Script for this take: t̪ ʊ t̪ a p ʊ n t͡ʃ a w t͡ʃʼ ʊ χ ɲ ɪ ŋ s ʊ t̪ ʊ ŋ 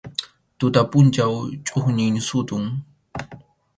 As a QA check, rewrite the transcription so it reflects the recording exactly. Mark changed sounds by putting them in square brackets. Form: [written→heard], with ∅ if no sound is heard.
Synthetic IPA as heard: t̪ ʊ t̪ a p ʊ n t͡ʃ a w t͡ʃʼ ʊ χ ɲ ɪ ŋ s ʊ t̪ ʊ ŋ